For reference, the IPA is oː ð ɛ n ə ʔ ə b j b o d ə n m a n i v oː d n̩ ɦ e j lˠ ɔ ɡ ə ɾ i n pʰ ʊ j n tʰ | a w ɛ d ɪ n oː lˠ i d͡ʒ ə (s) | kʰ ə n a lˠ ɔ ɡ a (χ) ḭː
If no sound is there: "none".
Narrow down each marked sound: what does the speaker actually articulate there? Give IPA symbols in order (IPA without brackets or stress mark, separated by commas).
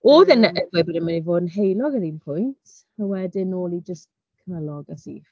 s, s